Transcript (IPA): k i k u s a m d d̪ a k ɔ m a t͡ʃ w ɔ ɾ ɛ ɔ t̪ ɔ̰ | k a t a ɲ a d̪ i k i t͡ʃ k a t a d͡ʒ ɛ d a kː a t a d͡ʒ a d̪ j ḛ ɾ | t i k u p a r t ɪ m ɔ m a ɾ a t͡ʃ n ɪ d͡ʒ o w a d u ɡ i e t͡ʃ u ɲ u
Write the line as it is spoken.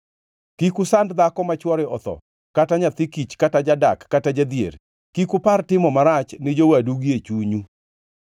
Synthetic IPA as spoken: k i k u s a n d d̪ a k ɔ m a t͡ʃ w ɔ ɾ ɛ ɔ t̪ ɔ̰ | k a t a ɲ a t̪ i k i t͡ʃ k a t a d͡ʒ a d a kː a t a d͡ʒ a d̪ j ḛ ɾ | k i k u p a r t ɪ m ɔ m a ɾ a t͡ʃ n ɪ d͡ʒ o w a d u ɡ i e t͡ʃ u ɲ u